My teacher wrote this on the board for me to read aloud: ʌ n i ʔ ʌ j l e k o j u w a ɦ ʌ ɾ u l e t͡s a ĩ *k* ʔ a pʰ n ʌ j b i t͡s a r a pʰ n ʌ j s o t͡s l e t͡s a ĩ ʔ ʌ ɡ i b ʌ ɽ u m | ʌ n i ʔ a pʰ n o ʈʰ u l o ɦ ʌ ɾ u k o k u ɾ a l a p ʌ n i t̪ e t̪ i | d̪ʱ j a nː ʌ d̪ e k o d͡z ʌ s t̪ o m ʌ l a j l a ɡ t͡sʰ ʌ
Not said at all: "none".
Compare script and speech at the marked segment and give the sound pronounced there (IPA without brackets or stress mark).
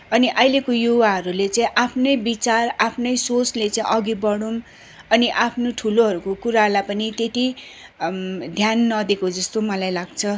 none